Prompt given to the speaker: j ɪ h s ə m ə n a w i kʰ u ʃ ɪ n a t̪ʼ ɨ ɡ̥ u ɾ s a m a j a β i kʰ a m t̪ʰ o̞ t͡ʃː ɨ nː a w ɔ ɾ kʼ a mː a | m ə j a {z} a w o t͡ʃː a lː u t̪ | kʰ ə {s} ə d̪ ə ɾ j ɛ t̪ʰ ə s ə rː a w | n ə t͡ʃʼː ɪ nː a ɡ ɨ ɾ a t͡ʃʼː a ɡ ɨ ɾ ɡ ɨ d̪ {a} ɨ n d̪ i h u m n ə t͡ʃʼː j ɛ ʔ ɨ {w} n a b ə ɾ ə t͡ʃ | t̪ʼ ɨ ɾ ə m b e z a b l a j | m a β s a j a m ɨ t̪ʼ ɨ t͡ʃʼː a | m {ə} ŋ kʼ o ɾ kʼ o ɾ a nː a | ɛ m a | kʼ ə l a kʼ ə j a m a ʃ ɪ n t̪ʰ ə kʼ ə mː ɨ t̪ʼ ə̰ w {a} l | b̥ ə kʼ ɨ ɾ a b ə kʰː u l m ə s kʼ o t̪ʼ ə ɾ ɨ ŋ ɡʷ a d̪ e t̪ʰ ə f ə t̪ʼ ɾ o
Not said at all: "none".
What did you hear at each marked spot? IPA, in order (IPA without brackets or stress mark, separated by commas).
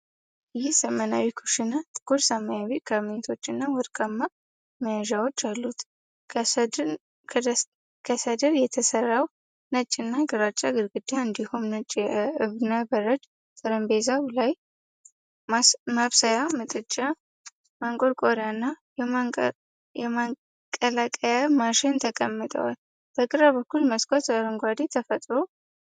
ʒ, s, a, β, a, a